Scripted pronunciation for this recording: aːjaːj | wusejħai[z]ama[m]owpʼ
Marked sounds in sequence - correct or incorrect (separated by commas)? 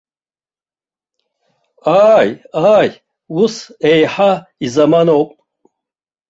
correct, incorrect